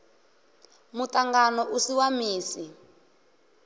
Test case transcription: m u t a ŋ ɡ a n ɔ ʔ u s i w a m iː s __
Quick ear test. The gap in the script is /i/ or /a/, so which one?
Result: i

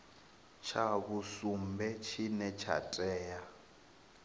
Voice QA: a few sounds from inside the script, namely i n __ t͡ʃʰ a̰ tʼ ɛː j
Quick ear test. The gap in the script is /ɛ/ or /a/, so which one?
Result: ɛ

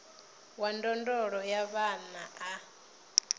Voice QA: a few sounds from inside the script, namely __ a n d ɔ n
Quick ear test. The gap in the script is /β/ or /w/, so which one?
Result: w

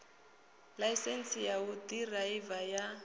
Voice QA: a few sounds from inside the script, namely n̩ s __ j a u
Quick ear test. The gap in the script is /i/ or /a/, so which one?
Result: i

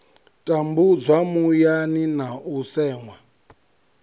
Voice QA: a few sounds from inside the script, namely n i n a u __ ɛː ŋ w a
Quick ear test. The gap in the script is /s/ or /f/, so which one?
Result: s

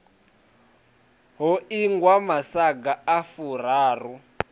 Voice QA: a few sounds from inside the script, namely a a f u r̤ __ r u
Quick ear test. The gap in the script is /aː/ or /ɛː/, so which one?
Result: aː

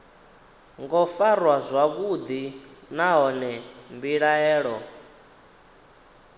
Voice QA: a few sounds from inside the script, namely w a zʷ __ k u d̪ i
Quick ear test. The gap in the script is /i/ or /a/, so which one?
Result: a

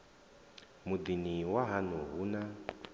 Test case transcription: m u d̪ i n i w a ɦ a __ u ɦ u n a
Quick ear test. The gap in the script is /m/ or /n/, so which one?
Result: n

